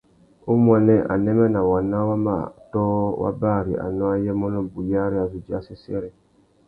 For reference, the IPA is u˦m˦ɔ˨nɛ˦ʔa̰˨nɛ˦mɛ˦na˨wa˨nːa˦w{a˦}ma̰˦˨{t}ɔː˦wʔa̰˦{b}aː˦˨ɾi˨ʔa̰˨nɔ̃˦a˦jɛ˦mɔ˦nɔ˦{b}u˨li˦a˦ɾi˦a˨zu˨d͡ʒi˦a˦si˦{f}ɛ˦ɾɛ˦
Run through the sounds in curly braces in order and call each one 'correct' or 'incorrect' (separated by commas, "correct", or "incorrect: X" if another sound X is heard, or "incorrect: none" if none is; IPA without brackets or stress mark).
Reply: correct, correct, correct, correct, incorrect: s